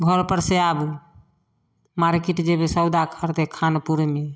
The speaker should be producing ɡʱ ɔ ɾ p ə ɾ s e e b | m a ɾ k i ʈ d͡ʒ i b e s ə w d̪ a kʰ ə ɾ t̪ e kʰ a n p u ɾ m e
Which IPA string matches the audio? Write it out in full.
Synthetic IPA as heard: ɡʱ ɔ ɾ p ə ɾ s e a b | m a ɾ k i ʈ d͡ʒ e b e s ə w d̪ a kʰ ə ɾ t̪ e kʰ a n p u ɾ m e